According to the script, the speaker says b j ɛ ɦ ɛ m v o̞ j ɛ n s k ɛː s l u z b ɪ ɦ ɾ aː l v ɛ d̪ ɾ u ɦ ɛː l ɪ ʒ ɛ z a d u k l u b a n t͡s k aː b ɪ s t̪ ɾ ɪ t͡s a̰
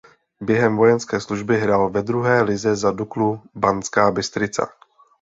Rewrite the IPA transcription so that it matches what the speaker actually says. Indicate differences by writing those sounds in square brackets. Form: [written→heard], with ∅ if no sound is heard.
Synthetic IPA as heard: b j ɛ ɦ ɛ m v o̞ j ɛ n s k ɛː s l u [z→ʒ] b ɪ ɦ ɾ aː l v ɛ d̪ ɾ u ɦ ɛː l ɪ [ʒ→z] ɛ z a d u k l u b a n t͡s k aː b ɪ s t̪ ɾ ɪ t͡s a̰